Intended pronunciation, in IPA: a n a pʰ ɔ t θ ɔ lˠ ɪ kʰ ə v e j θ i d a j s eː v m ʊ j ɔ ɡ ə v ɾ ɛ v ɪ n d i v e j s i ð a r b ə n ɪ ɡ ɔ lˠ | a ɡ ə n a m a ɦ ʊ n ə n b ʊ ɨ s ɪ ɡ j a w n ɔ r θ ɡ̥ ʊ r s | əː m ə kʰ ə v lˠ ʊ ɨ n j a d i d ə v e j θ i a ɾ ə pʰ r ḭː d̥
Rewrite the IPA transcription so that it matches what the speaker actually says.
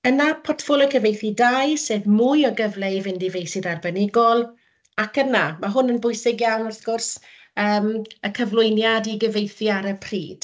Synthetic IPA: ə n a pʰ ɔ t f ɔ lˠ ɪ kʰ ə v e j θ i d a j s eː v m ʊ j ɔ ɡ ə v l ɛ v ɪ n d i v e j s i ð a r b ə n ɪ ɡ ɔ lˠ | a k ə n a m a ɦ ʊ n ə n b ʊ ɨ s ɪ ɡ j a w n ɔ r θ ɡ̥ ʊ r s | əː m ə kʰ ə v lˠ ʊ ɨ n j a d i ɡ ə v e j θ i a ɾ ə pʰ r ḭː d̥